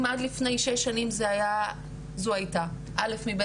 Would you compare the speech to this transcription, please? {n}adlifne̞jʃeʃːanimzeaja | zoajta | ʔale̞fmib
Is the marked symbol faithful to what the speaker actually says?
no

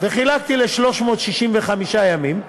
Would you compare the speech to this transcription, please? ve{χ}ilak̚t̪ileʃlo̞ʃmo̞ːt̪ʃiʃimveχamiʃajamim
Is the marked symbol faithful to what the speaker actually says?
yes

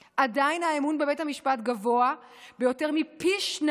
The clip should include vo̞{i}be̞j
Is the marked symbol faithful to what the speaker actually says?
no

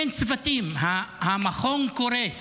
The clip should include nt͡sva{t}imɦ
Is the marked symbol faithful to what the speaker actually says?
yes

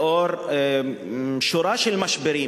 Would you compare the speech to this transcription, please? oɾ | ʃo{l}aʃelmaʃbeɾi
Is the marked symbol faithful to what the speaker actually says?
no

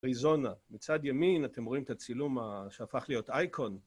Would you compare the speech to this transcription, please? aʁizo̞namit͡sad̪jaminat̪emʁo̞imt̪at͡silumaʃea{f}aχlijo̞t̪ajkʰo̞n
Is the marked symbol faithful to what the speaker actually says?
yes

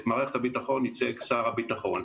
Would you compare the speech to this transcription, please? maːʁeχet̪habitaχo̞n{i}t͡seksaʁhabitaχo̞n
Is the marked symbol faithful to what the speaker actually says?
yes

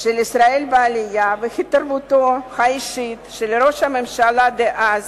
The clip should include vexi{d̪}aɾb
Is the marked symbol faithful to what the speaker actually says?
no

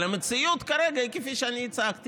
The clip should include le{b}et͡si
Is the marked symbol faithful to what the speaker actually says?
no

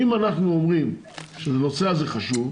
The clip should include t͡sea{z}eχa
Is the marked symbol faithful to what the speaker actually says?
yes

